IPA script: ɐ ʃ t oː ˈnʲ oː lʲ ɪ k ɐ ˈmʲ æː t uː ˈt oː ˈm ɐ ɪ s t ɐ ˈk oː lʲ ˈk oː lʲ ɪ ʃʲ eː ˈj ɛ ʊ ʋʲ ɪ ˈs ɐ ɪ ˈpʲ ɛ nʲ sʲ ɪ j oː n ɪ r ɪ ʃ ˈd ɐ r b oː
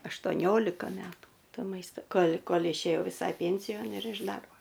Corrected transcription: ɐ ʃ t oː ˈnʲ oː lʲ ɪ k ɐ ˈmʲ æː t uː ˈt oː ˈm ɐ ɪ s t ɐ ˈk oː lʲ ˈk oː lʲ ɪ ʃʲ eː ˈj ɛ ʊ ʋʲ ɪ ˈs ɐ ɪ ˈpʲ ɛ nʲ sʲ ɪ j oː n ɪ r ɪ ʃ ˈd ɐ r b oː